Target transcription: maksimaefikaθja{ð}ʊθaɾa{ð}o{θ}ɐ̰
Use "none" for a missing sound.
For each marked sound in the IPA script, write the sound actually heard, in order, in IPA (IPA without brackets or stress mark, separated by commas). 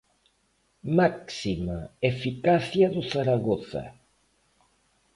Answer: ð, ɣ, θ